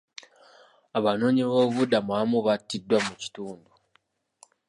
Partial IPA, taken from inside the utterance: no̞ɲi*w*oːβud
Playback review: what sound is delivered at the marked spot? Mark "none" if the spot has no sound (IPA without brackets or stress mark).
β